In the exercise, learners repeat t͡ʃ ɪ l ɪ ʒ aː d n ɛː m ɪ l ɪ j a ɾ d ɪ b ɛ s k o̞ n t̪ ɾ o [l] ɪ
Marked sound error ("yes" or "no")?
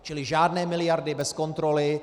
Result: no